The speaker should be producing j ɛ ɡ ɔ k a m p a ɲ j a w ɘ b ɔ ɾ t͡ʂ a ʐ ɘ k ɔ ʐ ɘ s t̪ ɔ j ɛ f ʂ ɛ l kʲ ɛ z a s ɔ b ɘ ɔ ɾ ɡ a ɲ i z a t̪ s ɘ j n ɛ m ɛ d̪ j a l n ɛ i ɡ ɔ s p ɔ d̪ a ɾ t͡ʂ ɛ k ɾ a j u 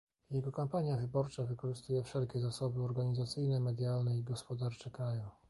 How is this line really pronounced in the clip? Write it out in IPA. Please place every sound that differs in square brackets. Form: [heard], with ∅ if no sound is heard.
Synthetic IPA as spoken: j ɛ ɡ ɔ k a m p a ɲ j a [v] ɘ b ɔ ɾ t͡ʂ a [v] ɘ k ɔ ʐ ɘ s t̪ [u] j ɛ f ʂ ɛ l kʲ ɛ z a s ɔ b ɘ ɔ ɾ ɡ a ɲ i z a t̪ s ɘ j n ɛ m ɛ d̪ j a l n ɛ i ɡ ɔ s p ɔ d̪ a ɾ t͡ʂ ɛ k ɾ a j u